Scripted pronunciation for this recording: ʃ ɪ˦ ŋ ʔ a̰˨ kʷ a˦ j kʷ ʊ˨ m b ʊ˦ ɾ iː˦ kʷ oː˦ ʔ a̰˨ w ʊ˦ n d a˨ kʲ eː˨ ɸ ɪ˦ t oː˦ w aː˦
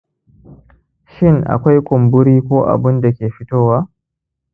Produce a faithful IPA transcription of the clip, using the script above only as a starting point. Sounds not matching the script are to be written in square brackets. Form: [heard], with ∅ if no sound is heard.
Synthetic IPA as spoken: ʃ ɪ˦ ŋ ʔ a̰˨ kʷ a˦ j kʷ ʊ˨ m b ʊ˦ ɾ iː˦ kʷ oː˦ ʔ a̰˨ [b] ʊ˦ n d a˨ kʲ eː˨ ɸ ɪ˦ t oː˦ w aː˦